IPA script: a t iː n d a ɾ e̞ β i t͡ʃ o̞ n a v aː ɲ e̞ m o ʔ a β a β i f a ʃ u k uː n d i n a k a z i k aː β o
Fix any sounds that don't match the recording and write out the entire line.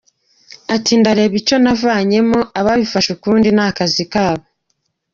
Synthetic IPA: a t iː n d a ɾ e̞ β i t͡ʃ o̞ n a v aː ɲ e̞ m o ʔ a β a β i f a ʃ u k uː n d i n a k a z i k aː β o